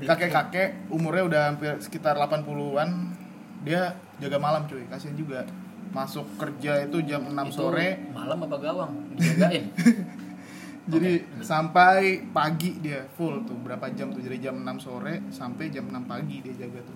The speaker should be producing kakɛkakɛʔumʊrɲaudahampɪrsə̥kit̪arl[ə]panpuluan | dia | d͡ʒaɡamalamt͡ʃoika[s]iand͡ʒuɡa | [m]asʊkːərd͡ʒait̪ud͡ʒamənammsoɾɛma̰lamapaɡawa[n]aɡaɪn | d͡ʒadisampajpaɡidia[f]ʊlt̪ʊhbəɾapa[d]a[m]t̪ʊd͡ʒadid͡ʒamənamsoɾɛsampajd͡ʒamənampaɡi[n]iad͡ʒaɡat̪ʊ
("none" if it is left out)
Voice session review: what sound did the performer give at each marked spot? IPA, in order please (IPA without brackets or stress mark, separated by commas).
a, s, m, ŋ, f, d͡ʒ, m, d